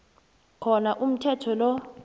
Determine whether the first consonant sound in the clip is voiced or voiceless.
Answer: voiceless